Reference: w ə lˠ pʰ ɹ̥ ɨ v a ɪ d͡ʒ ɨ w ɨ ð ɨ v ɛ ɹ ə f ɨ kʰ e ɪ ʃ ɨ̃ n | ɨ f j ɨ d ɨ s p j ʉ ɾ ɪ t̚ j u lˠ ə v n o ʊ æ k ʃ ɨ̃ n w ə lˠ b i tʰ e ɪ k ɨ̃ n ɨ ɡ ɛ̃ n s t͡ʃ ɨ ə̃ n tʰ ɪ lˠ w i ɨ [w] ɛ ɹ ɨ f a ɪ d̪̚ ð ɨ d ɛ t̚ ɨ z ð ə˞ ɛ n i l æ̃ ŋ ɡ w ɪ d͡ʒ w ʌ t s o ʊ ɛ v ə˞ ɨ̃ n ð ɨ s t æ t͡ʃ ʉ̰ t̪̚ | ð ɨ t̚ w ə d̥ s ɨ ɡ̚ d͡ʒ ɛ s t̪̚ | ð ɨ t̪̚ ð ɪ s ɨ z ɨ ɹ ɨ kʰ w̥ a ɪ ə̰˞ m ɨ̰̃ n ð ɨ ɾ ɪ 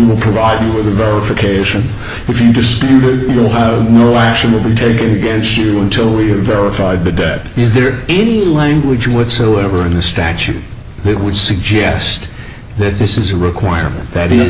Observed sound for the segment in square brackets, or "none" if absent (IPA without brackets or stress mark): v